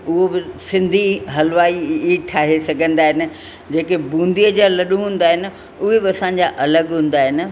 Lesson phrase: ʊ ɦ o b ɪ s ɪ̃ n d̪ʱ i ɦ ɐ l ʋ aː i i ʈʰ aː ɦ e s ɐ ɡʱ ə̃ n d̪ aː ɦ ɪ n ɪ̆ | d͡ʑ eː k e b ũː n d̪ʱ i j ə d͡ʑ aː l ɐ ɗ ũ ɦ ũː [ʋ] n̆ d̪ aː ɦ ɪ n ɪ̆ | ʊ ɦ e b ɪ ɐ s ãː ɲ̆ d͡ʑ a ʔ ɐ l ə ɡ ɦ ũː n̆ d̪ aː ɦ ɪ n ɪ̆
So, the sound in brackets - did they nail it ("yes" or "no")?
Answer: no